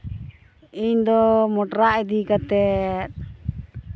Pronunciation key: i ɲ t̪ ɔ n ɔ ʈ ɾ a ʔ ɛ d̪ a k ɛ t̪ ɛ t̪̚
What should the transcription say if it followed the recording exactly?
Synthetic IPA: i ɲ d̪ ɔ m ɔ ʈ ɾ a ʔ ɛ d̪ i k a t̪ ɛ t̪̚

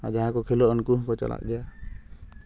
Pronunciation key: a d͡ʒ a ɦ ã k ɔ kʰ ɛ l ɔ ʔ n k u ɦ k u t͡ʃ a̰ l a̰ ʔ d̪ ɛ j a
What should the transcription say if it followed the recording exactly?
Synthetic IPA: a d͡ʒ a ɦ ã k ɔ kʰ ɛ l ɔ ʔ n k u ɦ k ɔ t͡ʃ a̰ l a̰ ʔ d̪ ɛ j a

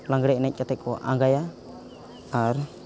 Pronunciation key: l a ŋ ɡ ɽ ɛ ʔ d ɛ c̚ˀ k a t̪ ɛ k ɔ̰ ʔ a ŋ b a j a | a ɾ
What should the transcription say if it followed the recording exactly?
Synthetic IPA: l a ŋ ɡ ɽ ɛ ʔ n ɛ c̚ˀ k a t̪ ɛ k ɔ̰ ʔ a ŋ ɡ a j a | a ɾ

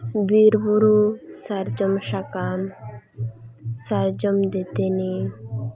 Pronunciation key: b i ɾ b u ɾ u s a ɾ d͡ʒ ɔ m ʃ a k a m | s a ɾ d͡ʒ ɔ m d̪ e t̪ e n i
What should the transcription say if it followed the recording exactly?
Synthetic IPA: b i ɾ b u ɾ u s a ɾ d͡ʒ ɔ m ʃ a k a m | s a ɾ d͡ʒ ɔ m d̪ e t̪ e n i

